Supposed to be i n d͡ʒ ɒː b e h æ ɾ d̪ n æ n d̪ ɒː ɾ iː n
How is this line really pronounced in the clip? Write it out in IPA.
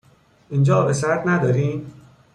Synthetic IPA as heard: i n d͡ʒ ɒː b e s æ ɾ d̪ n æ d̪ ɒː ɾ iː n